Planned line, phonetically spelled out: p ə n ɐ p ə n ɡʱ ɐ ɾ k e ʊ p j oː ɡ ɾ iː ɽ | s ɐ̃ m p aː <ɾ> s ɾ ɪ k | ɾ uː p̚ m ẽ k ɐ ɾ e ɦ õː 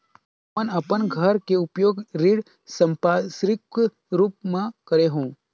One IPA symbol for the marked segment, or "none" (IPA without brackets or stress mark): none